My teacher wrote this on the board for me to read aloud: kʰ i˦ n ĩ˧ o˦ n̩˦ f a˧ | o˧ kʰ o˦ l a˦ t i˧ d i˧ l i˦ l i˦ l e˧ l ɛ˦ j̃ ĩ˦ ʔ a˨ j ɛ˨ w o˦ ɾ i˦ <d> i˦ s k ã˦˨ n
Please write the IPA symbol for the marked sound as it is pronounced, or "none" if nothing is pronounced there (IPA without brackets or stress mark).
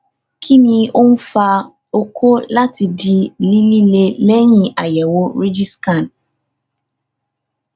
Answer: d͡ʒ